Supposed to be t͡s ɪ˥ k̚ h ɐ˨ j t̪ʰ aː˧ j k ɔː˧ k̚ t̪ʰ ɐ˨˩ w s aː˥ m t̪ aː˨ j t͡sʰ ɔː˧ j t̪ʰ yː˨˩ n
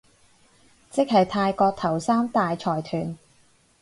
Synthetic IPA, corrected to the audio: t͡s ɪ˥ k̚ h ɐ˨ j t̪ʰ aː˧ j k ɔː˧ k̚ t̪ʰ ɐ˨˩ w s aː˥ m t̪ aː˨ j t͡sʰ ɔː˨˩ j t̪ʰ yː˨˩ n